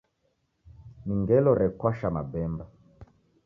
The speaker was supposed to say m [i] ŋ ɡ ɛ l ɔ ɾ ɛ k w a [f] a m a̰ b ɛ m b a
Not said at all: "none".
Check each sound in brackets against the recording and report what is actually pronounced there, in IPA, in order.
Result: i, ʃ

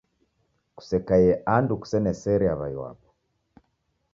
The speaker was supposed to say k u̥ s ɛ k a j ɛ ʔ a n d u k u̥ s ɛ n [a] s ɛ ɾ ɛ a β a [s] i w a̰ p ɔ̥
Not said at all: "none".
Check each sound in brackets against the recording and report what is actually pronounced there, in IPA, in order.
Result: ɛ, none

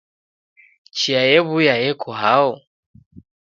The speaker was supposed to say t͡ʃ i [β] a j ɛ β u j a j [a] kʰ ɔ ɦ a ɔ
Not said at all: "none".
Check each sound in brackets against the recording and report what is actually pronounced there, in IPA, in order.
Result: none, ɛ

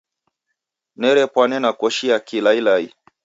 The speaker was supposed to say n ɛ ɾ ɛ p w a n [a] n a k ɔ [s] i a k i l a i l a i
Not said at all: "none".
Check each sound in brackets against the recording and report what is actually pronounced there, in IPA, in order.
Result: ɛ, ʃ

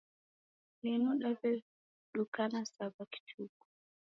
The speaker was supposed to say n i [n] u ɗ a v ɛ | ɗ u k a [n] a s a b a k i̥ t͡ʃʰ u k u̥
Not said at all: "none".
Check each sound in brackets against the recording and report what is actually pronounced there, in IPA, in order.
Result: n, n

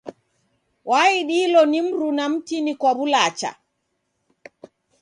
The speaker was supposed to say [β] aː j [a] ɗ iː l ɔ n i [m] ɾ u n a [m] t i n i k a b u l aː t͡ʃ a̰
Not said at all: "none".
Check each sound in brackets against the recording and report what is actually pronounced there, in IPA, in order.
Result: w, i, m, m

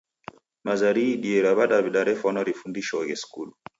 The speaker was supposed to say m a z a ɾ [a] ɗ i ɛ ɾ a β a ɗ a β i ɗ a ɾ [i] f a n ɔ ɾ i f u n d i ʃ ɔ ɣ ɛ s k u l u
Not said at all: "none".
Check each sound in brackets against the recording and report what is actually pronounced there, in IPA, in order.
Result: i, ɛ

